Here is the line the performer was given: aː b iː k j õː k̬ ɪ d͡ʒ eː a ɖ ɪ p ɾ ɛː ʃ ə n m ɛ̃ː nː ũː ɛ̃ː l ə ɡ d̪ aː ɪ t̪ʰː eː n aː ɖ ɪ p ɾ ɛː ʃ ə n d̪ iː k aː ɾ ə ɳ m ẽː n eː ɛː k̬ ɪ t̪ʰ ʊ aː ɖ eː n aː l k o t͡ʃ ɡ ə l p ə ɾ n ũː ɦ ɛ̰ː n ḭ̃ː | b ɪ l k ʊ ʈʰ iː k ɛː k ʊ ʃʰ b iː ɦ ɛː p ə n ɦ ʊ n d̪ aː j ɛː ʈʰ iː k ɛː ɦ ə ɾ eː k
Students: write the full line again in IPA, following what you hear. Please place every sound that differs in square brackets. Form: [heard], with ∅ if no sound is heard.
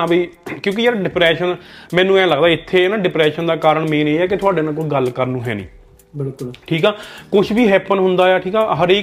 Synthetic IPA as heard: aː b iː k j õː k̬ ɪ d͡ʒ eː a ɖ ɪ p ɾ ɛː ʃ ə n m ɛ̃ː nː ũː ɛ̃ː l ə ɡ d̪ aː ɪ t̪ʰː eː n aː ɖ ɪ p ɾ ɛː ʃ ə n d̪ [aː] k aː ɾ ə ɳ m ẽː n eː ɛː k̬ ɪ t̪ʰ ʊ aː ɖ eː n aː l k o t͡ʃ ɡ ə l [k] ə ɾ n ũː ɦ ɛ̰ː n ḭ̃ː | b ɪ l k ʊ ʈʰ iː k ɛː k ʊ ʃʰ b iː ɦ ɛː p ə n ɦ ʊ n d̪ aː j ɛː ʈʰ iː k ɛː ɦ ə ɾ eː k